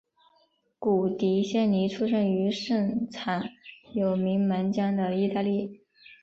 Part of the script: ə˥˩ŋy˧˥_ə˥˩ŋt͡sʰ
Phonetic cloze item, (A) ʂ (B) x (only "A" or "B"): A